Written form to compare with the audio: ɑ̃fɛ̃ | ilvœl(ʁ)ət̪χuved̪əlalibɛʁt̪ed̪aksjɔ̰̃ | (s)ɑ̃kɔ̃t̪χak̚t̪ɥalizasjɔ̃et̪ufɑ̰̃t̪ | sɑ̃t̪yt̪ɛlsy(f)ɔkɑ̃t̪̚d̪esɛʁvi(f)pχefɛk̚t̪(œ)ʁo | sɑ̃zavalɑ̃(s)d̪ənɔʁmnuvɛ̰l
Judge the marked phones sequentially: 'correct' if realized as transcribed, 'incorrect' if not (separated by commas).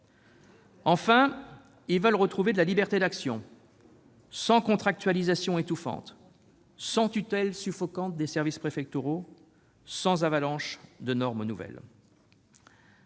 correct, correct, correct, incorrect, incorrect, incorrect